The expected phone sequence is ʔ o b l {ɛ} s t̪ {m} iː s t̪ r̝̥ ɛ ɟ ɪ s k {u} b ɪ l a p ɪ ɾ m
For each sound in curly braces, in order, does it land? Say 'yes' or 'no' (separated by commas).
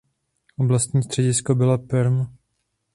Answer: no, no, no